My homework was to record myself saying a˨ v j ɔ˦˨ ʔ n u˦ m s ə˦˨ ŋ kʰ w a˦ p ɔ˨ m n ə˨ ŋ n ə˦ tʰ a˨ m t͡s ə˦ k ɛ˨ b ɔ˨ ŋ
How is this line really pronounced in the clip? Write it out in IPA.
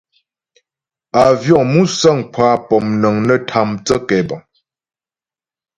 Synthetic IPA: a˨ v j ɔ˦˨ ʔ m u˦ s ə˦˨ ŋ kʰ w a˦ p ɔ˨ m n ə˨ ŋ n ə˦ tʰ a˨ m t͡s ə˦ k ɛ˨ b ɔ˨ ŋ